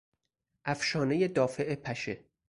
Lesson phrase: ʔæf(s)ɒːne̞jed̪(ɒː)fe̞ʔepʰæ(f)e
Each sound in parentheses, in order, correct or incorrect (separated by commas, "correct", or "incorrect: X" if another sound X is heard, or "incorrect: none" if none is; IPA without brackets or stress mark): incorrect: ʃ, correct, incorrect: ʃ